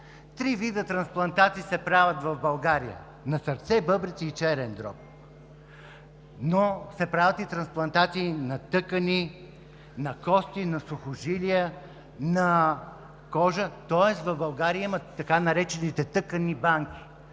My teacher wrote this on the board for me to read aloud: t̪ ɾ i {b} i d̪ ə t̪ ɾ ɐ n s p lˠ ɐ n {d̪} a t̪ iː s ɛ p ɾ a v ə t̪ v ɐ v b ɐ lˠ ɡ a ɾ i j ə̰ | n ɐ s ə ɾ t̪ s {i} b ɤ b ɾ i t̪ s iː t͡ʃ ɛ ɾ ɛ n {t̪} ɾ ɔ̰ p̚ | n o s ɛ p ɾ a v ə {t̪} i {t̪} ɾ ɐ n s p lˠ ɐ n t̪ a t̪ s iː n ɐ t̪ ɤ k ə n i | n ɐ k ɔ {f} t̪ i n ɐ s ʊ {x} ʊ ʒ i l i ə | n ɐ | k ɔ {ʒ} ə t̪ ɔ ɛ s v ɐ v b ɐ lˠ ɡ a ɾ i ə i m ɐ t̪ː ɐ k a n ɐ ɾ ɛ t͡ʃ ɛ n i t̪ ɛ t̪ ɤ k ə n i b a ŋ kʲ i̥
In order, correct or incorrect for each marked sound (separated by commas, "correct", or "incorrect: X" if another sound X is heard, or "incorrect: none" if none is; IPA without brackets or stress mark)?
incorrect: v, incorrect: t̪, incorrect: ɛ, incorrect: d̪, correct, correct, incorrect: s, correct, correct